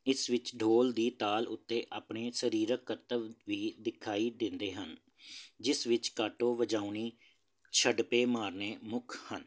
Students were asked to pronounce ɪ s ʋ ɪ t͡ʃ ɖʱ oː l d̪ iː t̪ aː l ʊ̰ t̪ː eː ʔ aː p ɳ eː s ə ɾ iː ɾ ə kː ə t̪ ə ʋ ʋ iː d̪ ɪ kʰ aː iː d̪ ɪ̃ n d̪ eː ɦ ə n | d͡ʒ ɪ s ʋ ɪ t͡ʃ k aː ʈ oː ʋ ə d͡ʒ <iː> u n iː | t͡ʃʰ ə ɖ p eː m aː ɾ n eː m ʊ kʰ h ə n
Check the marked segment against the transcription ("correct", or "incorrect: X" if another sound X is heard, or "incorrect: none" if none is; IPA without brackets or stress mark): incorrect: aː